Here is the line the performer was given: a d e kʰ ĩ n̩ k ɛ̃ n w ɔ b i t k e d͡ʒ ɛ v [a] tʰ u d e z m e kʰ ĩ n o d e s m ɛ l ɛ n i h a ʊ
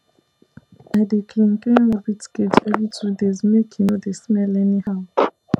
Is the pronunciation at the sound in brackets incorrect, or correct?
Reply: incorrect